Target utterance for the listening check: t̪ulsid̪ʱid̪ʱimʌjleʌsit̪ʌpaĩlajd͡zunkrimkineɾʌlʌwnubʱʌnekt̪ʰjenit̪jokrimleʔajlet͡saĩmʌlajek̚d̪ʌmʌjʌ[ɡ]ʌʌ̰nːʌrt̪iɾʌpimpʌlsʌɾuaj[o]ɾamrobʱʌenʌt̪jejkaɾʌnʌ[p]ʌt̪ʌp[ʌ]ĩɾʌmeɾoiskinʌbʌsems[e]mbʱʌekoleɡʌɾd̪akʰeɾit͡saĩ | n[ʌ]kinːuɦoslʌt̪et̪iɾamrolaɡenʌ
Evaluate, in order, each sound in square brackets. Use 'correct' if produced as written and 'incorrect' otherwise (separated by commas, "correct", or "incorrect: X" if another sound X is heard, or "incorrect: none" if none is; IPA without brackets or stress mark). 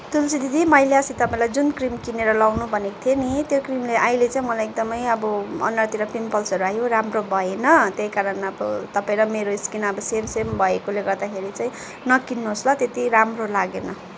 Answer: incorrect: b, correct, incorrect: b, incorrect: a, correct, correct